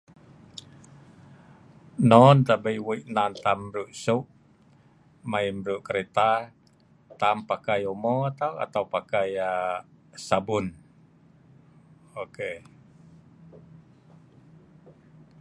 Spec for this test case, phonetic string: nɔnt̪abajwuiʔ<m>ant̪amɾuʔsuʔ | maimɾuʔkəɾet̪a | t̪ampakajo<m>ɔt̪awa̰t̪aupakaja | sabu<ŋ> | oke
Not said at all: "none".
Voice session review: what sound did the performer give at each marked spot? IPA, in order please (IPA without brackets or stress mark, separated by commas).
n, m, n